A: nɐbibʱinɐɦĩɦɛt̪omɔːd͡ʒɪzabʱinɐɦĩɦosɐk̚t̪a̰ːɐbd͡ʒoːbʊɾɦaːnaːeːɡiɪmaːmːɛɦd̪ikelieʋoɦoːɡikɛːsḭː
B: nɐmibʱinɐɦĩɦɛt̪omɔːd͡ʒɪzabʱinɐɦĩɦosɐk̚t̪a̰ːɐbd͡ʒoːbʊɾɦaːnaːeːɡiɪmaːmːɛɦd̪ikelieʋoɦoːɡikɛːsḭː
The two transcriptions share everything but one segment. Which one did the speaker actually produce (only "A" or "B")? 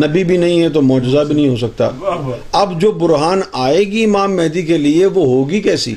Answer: A